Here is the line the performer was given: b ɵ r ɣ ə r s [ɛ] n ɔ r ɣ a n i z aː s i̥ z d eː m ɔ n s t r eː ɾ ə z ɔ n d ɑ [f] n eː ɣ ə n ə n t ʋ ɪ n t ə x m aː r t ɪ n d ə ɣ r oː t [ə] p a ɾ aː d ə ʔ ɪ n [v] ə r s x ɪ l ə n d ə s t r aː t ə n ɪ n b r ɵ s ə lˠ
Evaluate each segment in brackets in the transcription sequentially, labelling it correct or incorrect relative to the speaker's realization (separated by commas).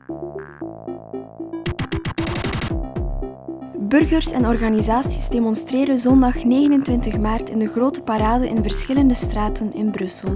correct, incorrect, correct, correct